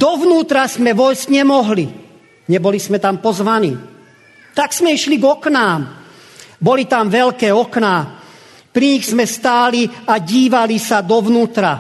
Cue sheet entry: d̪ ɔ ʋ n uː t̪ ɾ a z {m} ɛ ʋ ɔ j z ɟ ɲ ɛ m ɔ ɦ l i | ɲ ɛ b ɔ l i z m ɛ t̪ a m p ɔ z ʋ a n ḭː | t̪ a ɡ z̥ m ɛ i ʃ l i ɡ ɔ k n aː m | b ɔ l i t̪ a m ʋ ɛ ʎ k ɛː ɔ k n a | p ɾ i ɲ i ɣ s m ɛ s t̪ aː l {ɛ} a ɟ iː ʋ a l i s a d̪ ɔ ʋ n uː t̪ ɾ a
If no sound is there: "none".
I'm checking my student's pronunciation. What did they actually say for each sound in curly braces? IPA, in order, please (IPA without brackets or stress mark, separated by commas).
m, i